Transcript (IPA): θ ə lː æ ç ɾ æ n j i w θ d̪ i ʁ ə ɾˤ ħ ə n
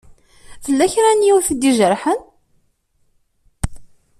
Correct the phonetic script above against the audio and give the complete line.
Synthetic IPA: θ ə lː æ ç ɾ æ n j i w θ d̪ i ʒ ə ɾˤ ħ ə n